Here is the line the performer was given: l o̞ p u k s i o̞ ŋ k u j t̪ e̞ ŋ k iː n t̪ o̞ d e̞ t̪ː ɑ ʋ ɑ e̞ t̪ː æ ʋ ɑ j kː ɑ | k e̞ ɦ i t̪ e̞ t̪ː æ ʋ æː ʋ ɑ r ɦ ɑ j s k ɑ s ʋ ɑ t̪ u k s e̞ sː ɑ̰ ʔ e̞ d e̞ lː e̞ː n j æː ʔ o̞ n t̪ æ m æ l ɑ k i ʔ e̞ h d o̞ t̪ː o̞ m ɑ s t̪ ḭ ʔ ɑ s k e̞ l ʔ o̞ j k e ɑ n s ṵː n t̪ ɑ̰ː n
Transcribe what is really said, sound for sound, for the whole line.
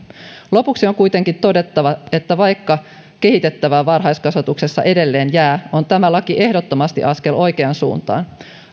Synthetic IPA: l o̞ p u k s i o̞ ŋ k u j t̪ e̞ ŋ k i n t̪ o̞ d e̞ t̪ː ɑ ʋ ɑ e̞ t̪ː æ ʋ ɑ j kː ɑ | k e̞ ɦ i t̪ e̞ t̪ː æ ʋ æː ʋ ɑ r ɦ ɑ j s k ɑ s ʋ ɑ t̪ u k s e̞ sː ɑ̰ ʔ e̞ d e̞ lː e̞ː n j æː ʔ o̞ n t̪ æ m æ l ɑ k i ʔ e̞ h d o̞ t̪ː o̞ m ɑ s t̪ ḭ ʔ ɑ s k e̞ l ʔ o̞ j k e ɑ n s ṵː n t̪ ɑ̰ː n